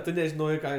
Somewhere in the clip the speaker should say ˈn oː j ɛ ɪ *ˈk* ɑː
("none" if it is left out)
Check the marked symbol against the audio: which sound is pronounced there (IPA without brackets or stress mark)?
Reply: k